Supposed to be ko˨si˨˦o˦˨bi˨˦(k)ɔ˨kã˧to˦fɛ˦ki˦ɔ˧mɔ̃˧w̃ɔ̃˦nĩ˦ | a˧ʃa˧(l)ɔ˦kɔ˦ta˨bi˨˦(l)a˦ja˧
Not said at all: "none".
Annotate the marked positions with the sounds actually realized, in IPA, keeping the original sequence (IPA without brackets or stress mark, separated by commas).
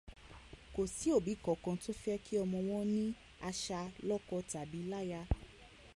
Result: k, l, l